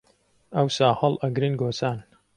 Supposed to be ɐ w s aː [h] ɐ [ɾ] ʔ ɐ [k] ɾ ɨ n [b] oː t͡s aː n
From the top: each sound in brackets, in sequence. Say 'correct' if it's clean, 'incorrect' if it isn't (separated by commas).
correct, incorrect, incorrect, incorrect